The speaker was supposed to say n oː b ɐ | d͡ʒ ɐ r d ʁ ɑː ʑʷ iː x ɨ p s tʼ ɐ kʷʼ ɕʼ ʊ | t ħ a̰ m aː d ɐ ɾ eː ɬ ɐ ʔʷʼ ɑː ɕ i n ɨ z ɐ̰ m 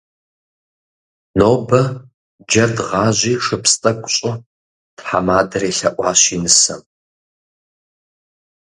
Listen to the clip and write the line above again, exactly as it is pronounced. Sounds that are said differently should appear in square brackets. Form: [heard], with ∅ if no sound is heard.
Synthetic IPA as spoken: n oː b ɐ | d͡ʒ ɐ r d ʁ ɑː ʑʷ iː [ʂ] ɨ p s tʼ ɐ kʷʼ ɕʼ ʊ | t ħ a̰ m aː d ɐ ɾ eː ɬ ɐ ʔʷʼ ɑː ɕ i n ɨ [s] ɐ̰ m